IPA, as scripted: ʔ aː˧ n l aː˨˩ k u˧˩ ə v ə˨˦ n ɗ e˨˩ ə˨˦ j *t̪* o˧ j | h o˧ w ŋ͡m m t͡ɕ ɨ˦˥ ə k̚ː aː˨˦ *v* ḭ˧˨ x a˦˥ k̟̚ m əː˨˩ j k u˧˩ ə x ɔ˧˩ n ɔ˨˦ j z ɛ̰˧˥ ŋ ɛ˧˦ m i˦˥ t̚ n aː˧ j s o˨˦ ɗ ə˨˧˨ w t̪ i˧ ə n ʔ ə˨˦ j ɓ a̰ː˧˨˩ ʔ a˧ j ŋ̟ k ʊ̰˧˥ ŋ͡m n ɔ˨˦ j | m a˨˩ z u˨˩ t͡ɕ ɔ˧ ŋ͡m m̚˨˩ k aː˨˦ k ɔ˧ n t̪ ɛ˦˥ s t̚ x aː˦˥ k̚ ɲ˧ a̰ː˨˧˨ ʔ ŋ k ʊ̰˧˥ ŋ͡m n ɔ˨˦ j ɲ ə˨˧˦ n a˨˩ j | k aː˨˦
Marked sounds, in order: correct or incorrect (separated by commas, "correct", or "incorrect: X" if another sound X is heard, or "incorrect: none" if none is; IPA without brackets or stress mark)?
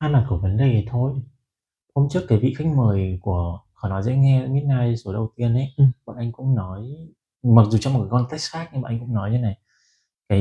incorrect: t̪ʰ, correct